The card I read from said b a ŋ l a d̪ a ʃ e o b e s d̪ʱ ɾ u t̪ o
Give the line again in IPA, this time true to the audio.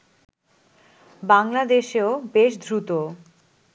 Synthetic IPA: b a ŋ l a d̪ e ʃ e o b e ʃ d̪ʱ ɾ u t̪ o